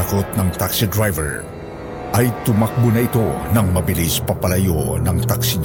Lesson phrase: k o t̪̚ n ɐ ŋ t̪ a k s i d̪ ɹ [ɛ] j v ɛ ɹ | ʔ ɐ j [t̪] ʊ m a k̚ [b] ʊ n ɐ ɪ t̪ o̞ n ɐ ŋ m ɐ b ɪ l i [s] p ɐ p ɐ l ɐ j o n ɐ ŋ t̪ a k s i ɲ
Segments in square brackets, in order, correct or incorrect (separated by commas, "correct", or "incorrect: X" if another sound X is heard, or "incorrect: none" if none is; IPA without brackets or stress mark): incorrect: a, correct, correct, correct